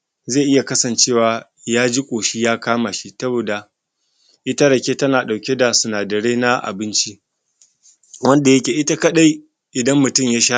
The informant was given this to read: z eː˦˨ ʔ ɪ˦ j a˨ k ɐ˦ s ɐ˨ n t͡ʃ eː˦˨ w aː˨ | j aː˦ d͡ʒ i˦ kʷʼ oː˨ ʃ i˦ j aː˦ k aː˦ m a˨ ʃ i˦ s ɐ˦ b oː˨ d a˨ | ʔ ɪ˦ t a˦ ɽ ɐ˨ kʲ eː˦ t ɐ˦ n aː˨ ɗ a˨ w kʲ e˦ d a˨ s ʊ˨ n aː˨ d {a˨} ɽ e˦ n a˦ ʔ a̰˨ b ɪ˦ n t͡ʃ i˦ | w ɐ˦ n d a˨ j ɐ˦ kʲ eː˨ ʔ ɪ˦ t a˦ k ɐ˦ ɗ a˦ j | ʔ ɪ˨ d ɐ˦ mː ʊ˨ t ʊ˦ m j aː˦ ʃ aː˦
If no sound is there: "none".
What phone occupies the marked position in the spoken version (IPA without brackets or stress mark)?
ɐ˨